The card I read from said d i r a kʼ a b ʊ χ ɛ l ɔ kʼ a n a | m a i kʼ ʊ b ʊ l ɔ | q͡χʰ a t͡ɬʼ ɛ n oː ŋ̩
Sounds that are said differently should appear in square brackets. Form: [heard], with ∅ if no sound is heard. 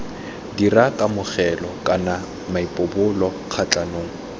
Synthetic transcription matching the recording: d i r a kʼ a [m] ʊ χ ɛ l ɔ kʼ a n a | m a i [pʼ] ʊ b ʊ l ɔ | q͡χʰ a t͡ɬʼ [a] n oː ŋ̩

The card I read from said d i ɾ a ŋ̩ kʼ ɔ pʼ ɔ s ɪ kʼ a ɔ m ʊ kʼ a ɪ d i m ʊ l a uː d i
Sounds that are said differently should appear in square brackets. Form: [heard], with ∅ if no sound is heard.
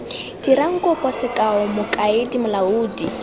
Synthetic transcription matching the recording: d i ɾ a ŋ̩ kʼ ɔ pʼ ɔ s ɪ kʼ a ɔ m ʊ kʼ a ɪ d i m ʊ l a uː d i

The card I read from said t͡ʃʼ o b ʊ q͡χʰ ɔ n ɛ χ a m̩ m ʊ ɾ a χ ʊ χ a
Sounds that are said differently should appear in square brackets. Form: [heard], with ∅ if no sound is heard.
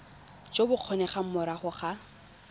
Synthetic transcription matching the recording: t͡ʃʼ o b ʊ q͡χʰ ɔ n ɛ χ a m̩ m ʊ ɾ a χ ʊ χ a

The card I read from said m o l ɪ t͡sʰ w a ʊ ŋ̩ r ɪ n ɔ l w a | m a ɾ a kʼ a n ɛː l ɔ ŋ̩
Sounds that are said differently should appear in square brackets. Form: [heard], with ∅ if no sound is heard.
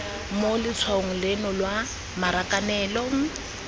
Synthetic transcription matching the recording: m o l ɪ t͡sʰ w a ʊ ŋ̩ [l] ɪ n ɔ l w a | m a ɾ a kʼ a n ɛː l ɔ ŋ̩

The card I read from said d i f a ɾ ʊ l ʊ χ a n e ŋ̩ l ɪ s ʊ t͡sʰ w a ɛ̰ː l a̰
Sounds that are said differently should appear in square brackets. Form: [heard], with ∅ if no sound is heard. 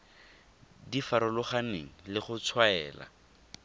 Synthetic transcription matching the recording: d i f a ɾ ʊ l ʊ χ a n e ŋ̩ l ɪ [χ] ʊ t͡sʰ w a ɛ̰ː l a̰

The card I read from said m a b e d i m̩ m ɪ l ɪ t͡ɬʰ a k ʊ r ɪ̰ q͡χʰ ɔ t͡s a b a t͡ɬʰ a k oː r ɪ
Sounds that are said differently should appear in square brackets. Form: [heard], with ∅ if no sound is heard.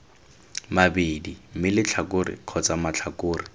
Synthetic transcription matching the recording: m a b e d i m̩ m ɪ l ɪ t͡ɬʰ a k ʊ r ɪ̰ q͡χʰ ɔ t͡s a [m] a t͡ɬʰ a k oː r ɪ

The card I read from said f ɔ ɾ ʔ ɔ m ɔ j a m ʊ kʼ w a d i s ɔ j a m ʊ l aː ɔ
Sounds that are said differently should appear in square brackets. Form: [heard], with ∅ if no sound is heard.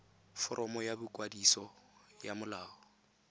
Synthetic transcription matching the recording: f ɔ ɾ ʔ ɔ m ɔ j a [b] ʊ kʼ w a d i s ɔ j a m ʊ l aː ɔ

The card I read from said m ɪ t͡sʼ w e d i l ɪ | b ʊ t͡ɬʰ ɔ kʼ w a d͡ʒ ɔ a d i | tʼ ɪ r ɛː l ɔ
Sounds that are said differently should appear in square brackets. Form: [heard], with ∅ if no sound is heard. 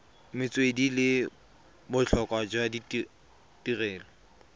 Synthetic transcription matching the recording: m ɪ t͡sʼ w e d i l ɪ | b ʊ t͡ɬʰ ɔ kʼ w a d͡ʒ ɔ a d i | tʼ [i] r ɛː l ɔ

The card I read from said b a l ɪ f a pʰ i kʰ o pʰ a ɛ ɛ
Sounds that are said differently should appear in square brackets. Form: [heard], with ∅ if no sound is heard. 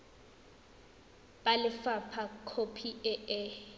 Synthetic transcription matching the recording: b a l ɪ f a pʰ [a] kʰ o pʰ [i] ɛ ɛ

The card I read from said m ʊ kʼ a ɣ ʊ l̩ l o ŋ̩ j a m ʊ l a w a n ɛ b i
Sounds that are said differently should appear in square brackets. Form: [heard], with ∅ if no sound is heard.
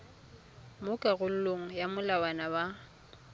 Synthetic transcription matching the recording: m ʊ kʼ a ɣ ʊ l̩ l o ŋ̩ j a m ʊ l a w a n [a] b [a]

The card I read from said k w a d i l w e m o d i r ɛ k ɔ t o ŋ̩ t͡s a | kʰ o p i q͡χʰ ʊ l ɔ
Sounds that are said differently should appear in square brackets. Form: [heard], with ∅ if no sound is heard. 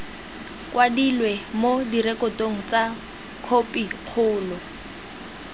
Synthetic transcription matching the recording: k w a d i l w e m o d i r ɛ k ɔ t o ŋ̩ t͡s a | kʰ o p i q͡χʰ [ʊː] l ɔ

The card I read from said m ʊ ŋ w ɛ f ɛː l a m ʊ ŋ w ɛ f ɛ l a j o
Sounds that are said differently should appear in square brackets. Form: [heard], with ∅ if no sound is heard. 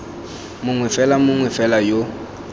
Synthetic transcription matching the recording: m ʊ ŋ w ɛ f [ɛ] l a m ʊ ŋ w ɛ f ɛ l a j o

